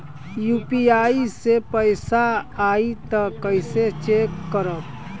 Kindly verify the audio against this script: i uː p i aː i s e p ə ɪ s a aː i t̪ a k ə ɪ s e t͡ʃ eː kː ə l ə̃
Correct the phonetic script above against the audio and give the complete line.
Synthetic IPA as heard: j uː p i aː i s e p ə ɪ s a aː i t̪ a k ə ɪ s e t͡ʃ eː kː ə ɾ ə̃